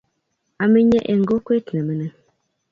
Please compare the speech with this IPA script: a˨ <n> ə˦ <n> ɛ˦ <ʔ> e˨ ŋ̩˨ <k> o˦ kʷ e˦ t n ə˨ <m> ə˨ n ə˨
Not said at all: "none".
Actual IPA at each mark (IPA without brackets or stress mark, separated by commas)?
m, ɲ, ʔ, ɡ, m